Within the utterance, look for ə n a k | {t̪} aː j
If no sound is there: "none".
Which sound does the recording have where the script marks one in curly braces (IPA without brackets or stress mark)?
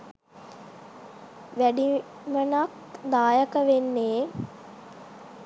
d̪